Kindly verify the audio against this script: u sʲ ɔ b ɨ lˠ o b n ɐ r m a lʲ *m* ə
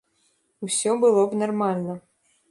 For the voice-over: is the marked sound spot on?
no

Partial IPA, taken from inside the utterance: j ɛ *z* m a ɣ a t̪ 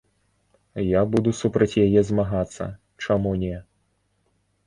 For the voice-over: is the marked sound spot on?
yes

